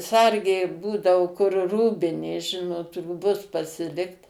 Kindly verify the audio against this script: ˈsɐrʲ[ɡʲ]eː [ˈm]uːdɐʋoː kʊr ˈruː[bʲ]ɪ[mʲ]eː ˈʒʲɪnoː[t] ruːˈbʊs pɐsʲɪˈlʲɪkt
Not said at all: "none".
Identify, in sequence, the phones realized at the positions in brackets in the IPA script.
ɡʲ, b, bʲ, nʲ, t

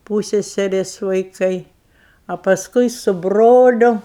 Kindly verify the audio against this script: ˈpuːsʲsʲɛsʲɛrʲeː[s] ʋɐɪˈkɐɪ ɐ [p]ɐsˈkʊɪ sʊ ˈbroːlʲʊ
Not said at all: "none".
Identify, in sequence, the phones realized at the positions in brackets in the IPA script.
s, p

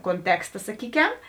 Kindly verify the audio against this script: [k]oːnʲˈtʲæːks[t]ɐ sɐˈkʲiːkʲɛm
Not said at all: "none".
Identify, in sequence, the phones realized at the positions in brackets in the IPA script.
k, t

